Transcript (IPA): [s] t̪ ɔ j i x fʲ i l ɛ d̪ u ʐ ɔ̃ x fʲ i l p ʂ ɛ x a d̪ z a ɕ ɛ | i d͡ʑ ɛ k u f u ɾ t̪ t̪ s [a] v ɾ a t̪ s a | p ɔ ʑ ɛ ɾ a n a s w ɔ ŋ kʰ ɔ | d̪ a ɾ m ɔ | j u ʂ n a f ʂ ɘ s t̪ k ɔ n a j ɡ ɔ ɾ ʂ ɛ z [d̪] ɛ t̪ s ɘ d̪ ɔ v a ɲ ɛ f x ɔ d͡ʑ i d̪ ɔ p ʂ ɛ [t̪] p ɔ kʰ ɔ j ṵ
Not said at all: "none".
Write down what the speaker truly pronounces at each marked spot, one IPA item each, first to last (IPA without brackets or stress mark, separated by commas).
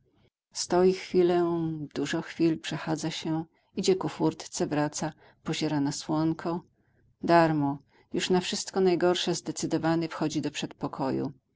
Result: s, ɛ, d̪, t̪